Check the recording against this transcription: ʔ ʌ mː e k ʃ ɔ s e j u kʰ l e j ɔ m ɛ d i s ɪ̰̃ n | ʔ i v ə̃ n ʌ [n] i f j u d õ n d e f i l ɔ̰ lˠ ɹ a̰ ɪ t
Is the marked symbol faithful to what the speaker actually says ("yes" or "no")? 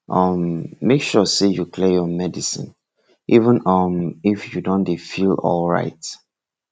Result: no